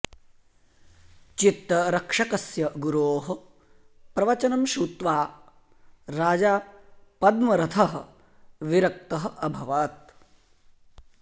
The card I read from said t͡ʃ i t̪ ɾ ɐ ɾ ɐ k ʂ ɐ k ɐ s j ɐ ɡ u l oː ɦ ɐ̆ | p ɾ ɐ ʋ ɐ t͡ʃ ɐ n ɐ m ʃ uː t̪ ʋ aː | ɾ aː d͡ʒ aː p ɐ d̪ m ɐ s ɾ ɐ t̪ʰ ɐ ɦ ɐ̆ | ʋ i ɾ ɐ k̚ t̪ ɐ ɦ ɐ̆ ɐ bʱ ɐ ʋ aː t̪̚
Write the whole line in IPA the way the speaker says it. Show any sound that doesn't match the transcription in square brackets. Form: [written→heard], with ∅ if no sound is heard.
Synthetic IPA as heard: t͡ʃ i t̪ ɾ ɐ ɾ ɐ k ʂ ɐ k ɐ s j ɐ ɡ u [l→ɾ] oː ɦ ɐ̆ | p ɾ ɐ ʋ ɐ t͡ʃ ɐ n ɐ m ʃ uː t̪ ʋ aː | ɾ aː d͡ʒ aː p ɐ d̪ m ɐ [s→∅] ɾ ɐ t̪ʰ ɐ ɦ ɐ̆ | ʋ i ɾ ɐ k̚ t̪ ɐ ɦ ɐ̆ ɐ bʱ ɐ ʋ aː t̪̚